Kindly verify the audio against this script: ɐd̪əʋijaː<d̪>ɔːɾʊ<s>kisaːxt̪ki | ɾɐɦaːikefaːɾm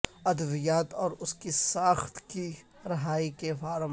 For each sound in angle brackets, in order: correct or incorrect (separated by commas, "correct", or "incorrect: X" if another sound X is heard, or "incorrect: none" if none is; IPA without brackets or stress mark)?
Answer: incorrect: t̪, correct